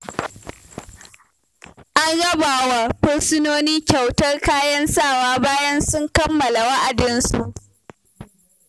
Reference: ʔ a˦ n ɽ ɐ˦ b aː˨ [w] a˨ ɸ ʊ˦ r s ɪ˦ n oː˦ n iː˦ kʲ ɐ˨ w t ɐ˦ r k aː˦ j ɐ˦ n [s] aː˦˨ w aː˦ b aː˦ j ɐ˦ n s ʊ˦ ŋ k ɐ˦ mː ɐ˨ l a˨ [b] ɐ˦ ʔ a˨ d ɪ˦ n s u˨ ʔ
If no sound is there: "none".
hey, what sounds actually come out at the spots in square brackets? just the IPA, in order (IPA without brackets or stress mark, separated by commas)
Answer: w, s, w